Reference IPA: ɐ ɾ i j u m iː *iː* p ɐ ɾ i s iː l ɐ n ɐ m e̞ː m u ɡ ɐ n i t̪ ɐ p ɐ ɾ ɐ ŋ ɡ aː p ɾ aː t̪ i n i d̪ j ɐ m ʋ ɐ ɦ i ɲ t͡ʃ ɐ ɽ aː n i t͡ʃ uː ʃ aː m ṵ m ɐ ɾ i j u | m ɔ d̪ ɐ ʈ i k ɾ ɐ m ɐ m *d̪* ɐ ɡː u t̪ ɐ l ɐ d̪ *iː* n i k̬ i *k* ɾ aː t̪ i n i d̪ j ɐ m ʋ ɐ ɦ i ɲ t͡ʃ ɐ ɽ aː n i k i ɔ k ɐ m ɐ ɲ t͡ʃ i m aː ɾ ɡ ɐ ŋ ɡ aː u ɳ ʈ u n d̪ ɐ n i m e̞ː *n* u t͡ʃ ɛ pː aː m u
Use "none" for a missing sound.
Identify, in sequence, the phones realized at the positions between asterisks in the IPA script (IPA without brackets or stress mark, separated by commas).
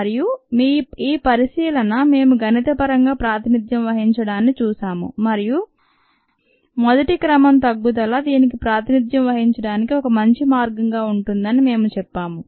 iː, t̪, iː, p, m